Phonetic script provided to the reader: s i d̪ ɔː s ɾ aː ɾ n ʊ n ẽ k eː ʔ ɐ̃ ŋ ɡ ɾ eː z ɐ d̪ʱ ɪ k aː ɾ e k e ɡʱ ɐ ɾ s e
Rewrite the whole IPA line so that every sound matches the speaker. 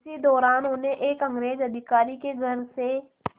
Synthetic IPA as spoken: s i d̪ ɔː ɾ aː n ʊ n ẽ ʔ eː k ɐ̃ ŋ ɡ ɾ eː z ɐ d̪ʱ ɪ k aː ɾ i k e ɡʱ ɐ ɾ s e